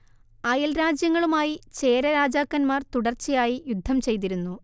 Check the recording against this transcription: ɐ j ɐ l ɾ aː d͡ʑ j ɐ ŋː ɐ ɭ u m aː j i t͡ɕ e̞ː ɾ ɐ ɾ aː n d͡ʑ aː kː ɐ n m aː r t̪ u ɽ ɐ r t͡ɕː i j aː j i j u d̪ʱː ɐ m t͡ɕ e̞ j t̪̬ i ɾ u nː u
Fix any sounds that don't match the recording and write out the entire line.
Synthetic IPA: ɐ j ɐ l ɾ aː d͡ʑ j ɐ ŋː ɐ ɭ u m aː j i t͡ɕ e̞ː ɾ ɐ ɾ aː d͡ʑ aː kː ɐ n m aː r t̪ u ɽ ɐ r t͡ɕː i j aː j i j u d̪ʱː ɐ m t͡ɕ e̞ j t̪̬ i ɾ u nː u